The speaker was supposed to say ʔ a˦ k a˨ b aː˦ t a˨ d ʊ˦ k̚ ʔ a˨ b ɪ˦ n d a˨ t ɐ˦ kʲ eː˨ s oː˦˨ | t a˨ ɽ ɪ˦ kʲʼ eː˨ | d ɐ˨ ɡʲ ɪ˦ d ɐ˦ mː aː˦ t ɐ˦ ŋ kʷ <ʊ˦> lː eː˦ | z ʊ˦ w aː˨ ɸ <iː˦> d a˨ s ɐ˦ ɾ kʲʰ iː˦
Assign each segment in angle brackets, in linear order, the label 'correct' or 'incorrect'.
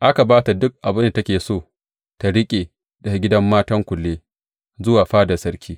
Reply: incorrect, incorrect

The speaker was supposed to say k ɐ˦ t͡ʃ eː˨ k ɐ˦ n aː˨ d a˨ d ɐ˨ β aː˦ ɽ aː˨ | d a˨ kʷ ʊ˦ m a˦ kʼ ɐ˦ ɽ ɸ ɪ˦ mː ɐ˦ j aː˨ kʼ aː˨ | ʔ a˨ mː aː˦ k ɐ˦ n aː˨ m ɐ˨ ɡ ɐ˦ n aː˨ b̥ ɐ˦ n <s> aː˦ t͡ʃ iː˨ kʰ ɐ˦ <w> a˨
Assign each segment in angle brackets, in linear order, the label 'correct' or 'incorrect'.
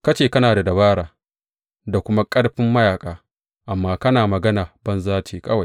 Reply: incorrect, correct

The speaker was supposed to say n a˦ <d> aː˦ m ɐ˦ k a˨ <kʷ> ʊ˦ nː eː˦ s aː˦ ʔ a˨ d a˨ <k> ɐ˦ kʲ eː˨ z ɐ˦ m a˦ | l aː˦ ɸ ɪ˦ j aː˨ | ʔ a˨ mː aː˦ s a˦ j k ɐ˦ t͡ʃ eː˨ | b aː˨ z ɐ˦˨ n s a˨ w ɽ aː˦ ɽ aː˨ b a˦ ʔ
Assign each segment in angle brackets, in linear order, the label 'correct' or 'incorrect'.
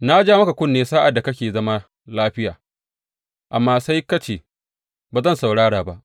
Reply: incorrect, correct, correct

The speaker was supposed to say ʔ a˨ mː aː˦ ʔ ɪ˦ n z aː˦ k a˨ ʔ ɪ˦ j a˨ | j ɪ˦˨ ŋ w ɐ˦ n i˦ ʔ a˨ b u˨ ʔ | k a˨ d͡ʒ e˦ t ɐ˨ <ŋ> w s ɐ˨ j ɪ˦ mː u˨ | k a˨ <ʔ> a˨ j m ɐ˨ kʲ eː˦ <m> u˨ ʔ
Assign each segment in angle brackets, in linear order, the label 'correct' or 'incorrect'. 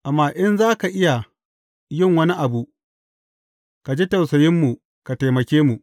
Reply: incorrect, incorrect, correct

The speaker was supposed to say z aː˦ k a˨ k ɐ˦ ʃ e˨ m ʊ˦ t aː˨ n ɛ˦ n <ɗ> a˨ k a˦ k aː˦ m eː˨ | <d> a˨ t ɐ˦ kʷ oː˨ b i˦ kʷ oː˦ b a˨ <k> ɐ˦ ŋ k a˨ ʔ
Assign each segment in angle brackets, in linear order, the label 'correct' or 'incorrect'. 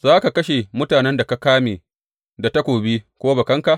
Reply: incorrect, correct, correct

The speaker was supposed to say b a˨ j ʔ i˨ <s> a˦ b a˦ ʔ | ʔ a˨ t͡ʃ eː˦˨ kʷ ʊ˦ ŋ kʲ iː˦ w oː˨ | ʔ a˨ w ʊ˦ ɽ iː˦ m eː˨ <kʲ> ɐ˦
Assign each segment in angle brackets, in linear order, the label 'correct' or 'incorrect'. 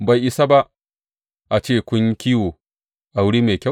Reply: correct, correct

